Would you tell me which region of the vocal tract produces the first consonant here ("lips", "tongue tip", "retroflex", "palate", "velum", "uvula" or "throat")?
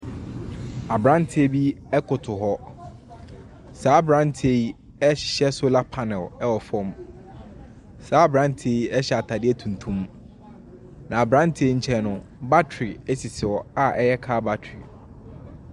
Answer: lips